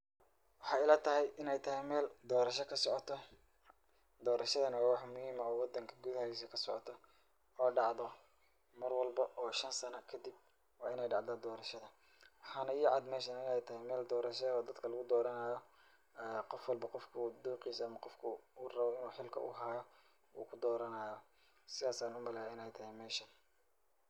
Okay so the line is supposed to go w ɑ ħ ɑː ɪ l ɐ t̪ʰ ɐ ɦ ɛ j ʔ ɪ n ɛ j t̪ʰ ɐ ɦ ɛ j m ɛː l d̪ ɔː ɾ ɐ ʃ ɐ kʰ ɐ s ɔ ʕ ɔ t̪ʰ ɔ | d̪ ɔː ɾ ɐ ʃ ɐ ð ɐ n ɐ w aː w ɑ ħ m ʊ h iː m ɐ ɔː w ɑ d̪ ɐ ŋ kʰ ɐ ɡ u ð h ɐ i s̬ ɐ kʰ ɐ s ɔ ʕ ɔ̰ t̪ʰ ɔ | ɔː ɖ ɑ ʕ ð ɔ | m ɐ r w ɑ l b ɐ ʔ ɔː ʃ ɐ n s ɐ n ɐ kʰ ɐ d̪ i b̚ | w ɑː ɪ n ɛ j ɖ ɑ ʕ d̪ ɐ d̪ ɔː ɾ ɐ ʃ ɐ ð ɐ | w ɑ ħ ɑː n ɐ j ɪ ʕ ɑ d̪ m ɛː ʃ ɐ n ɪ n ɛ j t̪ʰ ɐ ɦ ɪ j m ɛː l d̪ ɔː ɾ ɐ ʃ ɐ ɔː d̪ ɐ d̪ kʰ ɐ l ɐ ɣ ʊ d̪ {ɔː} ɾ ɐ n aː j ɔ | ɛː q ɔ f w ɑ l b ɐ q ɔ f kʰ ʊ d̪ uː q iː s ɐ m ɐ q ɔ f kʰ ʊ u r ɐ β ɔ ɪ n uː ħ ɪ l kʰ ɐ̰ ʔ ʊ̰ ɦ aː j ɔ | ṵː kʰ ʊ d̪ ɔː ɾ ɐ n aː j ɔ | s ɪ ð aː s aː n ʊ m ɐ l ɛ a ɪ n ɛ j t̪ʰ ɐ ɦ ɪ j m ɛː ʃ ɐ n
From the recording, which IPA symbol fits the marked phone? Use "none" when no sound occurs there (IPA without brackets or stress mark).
ɔː